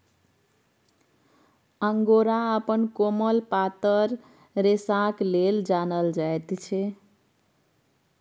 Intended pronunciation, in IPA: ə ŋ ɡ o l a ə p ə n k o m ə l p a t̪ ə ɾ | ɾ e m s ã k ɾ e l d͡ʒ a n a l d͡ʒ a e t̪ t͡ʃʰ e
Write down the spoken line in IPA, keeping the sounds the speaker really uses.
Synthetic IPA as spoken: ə ŋ ɡ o ɾ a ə p ə n k o m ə l p a t̪ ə ɾ | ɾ e s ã k l e l d͡ʒ a n ə l d͡ʒ a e t̪ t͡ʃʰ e